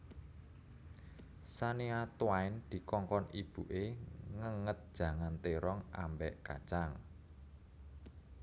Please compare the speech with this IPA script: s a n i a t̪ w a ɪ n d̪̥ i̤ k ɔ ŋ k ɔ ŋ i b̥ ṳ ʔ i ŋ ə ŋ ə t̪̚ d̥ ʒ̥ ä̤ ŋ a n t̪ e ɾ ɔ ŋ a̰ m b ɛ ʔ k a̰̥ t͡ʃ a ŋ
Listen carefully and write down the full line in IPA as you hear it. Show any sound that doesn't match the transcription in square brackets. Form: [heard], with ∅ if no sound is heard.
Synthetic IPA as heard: s a n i a t̪ w a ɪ n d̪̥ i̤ k ɔ ŋ k ɔ [n] i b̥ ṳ ʔ [e] ŋ ə ŋ ə t̪̚ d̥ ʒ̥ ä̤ ŋ a n t̪ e ɾ ɔ ŋ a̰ m b ɛ ʔ k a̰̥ t͡ʃ a ŋ